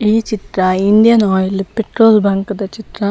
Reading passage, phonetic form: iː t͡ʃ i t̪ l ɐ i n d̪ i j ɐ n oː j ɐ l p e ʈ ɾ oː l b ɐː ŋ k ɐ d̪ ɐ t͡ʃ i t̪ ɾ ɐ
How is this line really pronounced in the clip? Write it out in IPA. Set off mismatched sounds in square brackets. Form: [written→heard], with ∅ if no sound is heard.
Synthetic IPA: iː t͡ʃ i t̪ [l→ɾ] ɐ i n d̪ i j ɐ n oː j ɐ l p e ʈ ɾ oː l b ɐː ŋ k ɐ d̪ ɐ t͡ʃ i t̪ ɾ ɐ